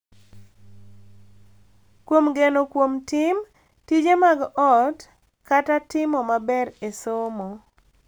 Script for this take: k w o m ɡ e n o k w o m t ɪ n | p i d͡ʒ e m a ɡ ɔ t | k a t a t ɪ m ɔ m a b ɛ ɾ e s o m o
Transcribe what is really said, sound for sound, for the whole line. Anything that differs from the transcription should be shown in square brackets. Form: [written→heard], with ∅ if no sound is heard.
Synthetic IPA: k w o m ɡ e n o k w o m t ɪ [n→m] | [p→t] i d͡ʒ e m a ɡ ɔ t | k a t a t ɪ m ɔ m a b ɛ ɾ e s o m o